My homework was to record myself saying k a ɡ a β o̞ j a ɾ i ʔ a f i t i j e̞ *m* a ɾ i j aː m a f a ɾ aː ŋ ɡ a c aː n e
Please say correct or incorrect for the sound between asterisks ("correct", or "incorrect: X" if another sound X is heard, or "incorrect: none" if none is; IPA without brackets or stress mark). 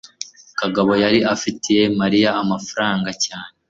correct